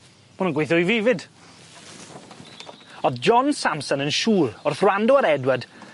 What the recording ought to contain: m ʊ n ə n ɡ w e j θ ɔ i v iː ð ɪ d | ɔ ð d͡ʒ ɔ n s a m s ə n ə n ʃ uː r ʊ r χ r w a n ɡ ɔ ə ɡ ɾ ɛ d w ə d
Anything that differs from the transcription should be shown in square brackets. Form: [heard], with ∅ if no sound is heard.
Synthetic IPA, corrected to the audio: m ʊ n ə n ɡ w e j θ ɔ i v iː [v] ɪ d | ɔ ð d͡ʒ ɔ n s a m s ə n ə n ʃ uː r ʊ r [θ] r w a n [d] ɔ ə [∅] ɾ ɛ d w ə d